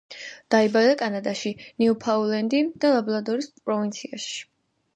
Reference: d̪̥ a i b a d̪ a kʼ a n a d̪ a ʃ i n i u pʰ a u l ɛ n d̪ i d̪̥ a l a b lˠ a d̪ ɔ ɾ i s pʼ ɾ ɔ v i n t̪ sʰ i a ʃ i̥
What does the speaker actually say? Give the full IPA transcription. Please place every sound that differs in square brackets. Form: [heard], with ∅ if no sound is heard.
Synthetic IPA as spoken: d̪̥ a i b a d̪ a kʼ a n a d̪ a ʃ i n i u pʰ a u l ɛ n d̪ i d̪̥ a l a b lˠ a d̪ ɔ ɾ i s pʼ ɾ ɔ v i n t̪ sʰ i a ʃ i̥